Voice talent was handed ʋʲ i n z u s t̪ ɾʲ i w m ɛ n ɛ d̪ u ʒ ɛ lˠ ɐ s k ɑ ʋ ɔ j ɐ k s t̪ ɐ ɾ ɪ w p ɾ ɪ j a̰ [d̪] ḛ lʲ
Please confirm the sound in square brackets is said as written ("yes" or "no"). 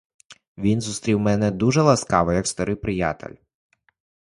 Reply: no